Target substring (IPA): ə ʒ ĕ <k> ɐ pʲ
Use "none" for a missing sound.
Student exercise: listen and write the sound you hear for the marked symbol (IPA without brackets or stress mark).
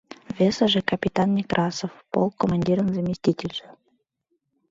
k